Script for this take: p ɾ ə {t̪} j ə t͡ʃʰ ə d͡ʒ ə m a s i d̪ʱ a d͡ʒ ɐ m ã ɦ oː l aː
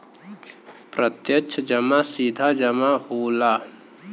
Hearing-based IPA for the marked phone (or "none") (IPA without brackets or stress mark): t̪